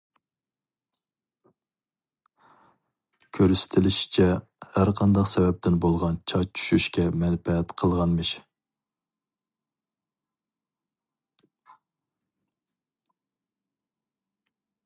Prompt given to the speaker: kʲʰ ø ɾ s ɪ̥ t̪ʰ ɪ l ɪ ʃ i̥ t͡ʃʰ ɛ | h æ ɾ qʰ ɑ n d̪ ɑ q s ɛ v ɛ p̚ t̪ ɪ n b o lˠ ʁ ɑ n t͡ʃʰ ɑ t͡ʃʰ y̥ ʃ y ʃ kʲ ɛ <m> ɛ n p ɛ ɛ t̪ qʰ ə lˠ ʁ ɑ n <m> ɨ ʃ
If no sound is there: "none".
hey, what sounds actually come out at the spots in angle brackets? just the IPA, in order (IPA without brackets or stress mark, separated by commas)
m, m